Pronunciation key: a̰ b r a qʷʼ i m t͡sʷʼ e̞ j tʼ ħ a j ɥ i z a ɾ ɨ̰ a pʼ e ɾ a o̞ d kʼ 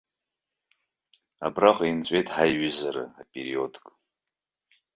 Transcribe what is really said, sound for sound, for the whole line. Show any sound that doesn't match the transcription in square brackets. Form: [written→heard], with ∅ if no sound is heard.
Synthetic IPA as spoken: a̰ b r a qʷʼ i [m→n] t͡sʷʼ e̞ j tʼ ħ a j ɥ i z a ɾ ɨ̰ a pʼ e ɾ [a→i] o̞ d kʼ